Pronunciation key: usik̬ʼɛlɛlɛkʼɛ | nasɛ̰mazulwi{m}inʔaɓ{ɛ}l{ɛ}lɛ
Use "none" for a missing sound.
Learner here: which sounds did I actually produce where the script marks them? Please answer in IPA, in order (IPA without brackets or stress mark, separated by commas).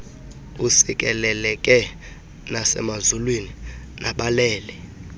n, a, ɛː